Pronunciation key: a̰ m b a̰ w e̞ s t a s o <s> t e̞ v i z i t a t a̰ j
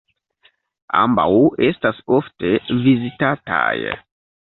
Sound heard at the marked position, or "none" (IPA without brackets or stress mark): f